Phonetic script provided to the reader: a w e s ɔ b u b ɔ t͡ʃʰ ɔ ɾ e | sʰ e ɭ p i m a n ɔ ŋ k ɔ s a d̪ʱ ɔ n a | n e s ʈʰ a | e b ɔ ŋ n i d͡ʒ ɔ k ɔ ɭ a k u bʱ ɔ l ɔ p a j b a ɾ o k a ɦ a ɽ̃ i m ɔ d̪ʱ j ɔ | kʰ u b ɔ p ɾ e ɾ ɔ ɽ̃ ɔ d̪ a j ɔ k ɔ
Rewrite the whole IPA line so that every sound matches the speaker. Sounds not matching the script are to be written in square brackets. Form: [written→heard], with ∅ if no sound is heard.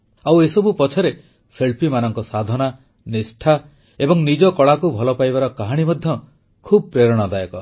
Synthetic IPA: a w e s ɔ b u [b→p] ɔ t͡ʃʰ ɔ ɾ e | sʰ e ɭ p i m a n ɔ ŋ k ɔ s a d̪ʱ ɔ n a | n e s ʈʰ a | e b ɔ ŋ n i d͡ʒ ɔ k ɔ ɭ a k u bʱ ɔ l ɔ p a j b a ɾ [o→ɔ] k a ɦ a ɽ̃ i m ɔ d̪ʱ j ɔ | kʰ u b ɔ p ɾ e ɾ ɔ ɽ̃ ɔ d̪ a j ɔ k ɔ